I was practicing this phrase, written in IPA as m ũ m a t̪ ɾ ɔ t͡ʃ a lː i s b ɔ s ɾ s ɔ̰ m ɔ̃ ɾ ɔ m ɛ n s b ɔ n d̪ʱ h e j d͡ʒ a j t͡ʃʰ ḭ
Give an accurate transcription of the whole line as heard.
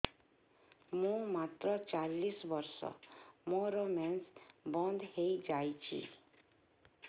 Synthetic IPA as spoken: m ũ m a t̪ ɾ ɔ t͡ʃ a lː i s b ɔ ɾ s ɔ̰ m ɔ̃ ɾ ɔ m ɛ n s b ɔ n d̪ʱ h e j d͡ʒ a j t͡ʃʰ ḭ